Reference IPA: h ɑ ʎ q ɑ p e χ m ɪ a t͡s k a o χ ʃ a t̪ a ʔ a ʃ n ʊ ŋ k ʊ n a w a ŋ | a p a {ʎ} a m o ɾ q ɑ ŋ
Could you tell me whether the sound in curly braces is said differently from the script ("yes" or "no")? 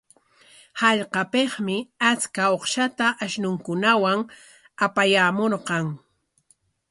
yes